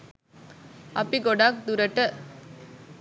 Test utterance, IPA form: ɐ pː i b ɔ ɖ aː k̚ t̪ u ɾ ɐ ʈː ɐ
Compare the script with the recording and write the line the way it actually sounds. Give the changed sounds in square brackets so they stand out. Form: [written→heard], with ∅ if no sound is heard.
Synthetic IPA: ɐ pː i [b→ɡ] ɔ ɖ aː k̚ [t̪→d̪] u ɾ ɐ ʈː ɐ